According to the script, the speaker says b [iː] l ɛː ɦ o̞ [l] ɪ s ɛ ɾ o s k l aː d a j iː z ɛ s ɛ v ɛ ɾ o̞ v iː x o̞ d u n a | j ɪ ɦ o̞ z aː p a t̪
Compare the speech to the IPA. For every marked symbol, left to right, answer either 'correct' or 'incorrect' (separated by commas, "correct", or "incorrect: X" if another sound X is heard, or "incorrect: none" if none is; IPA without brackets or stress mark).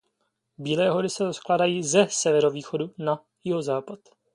correct, incorrect: ɾ